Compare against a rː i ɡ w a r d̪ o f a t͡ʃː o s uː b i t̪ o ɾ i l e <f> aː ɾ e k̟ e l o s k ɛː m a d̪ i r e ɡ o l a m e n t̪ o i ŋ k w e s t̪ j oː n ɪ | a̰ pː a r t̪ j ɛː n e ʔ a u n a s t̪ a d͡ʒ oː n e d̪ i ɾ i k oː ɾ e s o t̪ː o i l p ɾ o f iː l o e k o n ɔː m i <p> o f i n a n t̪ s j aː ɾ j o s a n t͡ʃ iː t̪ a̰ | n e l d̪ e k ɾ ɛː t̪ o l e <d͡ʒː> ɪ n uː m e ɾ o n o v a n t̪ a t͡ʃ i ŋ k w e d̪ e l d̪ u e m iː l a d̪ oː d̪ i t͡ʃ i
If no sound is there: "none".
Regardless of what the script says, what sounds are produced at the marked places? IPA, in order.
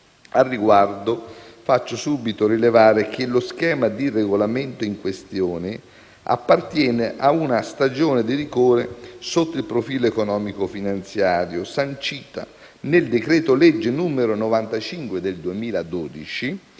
v, k, d͡ʒː

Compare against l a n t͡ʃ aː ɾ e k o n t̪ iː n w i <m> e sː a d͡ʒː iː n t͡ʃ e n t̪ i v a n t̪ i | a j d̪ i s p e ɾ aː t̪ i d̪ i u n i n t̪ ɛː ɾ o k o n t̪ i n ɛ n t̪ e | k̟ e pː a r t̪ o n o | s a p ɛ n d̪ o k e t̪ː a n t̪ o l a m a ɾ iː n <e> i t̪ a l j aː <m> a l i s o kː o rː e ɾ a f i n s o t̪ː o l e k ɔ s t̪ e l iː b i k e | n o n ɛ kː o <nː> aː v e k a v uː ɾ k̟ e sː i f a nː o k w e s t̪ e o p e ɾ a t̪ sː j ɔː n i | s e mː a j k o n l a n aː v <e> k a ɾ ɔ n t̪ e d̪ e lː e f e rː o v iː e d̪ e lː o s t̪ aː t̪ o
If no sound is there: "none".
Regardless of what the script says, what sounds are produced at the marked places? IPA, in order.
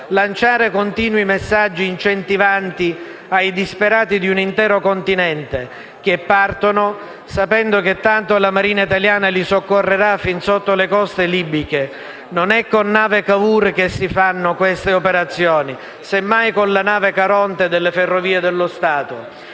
m, a, n, nː, e

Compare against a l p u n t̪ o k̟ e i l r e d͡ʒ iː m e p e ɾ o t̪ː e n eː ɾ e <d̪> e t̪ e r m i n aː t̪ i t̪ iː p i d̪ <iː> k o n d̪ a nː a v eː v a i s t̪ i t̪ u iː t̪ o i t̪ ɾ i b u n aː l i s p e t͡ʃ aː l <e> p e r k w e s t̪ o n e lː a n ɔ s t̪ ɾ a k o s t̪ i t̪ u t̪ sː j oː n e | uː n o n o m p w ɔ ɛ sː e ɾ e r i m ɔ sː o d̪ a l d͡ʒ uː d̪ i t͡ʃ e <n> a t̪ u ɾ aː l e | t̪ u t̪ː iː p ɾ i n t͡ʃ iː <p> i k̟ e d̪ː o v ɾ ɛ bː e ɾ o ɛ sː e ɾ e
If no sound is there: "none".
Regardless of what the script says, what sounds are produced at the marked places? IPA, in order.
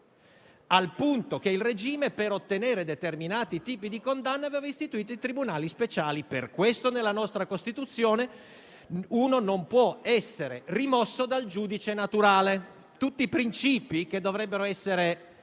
d̪, i, i, n, p

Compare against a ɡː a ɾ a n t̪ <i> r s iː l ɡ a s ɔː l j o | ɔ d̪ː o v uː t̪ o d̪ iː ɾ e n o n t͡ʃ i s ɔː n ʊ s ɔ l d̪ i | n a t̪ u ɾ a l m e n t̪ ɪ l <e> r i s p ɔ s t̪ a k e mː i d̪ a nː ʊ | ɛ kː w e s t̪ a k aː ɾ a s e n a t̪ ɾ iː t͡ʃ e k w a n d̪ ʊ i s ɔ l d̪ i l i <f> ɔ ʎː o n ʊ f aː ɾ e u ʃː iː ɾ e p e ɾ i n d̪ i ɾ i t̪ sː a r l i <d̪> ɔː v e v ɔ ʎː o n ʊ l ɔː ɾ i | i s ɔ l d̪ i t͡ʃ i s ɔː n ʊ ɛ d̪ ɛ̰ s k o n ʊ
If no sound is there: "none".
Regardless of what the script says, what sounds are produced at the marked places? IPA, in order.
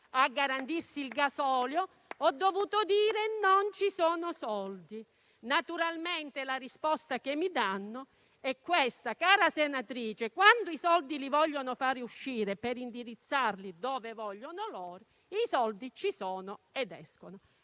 i, a, v, d̪

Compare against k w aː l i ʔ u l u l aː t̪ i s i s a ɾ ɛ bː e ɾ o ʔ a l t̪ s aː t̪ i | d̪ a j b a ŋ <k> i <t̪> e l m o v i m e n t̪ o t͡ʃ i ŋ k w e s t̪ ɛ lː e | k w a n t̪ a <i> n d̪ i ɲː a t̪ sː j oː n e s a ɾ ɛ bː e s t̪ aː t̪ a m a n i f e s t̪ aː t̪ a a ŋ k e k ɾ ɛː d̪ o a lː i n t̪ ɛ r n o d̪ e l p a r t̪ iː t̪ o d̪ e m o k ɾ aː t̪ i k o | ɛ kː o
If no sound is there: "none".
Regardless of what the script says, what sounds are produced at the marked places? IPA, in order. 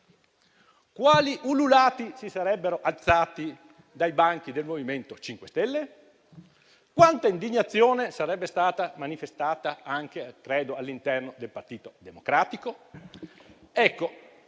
k, d̪, i

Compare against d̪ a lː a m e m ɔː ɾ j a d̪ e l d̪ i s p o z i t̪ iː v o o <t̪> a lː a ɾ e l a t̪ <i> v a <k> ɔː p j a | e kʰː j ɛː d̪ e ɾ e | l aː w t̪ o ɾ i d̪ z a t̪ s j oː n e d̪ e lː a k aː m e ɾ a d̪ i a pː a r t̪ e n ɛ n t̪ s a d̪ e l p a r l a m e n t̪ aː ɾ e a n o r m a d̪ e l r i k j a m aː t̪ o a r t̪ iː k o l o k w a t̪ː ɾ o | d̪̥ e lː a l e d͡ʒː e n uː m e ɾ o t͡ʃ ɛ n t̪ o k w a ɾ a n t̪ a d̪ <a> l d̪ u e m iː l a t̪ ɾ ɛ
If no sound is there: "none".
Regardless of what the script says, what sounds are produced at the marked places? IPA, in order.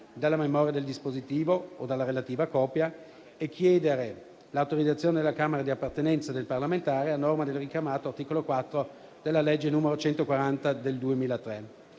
d̪, iː, k, e

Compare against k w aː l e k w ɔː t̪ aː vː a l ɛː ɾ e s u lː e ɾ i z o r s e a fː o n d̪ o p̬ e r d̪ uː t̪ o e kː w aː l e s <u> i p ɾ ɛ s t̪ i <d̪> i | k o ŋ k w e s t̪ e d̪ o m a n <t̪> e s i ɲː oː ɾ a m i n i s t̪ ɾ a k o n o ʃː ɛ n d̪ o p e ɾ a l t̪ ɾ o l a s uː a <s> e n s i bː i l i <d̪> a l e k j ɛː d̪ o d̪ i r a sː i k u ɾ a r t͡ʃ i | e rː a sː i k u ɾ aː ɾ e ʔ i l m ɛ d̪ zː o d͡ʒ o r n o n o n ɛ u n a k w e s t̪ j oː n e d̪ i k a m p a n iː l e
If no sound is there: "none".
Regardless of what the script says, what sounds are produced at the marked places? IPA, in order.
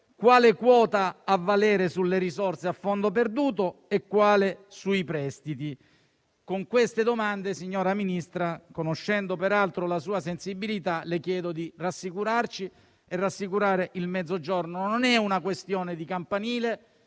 u, t̪, d̪, s, t̪

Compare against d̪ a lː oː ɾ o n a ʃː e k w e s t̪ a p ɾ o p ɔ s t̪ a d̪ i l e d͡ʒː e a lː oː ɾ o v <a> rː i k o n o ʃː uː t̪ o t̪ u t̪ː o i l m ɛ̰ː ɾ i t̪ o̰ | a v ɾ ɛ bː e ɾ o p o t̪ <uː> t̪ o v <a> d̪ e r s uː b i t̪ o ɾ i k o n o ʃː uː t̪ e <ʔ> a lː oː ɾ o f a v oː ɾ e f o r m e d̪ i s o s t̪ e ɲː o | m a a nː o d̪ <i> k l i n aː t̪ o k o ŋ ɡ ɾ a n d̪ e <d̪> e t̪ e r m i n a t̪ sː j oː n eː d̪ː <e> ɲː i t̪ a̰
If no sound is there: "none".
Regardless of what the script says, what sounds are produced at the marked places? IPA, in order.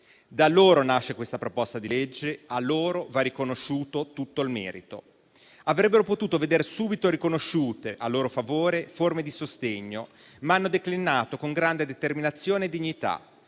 a, uː, e, ʔ, e, d̪, i

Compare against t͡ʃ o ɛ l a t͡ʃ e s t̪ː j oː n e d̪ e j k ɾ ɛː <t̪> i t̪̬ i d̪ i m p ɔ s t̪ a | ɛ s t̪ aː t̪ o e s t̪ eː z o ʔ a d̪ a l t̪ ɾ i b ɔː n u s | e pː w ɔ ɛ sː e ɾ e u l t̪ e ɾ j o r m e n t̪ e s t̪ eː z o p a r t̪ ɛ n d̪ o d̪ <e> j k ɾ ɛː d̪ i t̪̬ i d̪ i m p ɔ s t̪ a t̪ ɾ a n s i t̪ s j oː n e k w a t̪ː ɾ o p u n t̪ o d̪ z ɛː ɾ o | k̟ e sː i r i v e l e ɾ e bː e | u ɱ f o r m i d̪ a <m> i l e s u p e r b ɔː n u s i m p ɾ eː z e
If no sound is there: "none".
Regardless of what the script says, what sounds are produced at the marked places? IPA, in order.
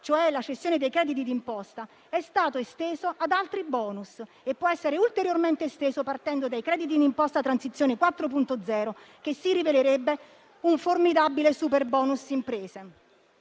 d̪, a, b

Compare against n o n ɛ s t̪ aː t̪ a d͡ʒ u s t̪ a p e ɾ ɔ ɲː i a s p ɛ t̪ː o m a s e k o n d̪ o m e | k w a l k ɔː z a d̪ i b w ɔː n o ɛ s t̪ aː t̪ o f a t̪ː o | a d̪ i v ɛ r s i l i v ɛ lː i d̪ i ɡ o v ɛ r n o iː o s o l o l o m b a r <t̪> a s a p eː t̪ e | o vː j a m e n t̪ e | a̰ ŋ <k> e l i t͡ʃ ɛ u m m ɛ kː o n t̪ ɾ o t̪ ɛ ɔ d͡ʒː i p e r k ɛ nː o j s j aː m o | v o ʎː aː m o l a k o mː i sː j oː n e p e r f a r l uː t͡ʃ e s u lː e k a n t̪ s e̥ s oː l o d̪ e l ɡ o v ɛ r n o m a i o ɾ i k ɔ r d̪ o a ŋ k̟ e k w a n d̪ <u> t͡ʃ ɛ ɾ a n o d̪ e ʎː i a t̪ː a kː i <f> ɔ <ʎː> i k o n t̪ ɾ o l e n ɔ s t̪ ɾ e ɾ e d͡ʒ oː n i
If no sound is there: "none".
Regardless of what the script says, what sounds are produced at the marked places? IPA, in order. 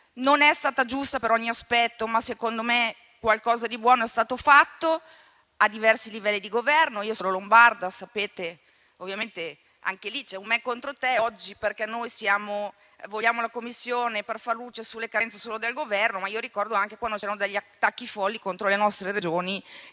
d̪, k, o, f, lː

